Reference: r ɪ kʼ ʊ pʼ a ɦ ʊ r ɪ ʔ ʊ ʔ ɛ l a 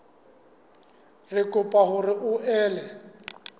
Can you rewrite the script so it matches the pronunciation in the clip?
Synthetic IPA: r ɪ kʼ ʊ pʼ a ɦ ʊ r ɪ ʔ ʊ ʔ ɛː l ɛ